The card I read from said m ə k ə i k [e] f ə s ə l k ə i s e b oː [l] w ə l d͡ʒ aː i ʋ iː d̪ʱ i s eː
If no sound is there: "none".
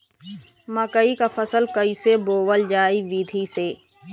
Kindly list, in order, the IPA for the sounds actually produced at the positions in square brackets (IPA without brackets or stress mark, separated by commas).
a, none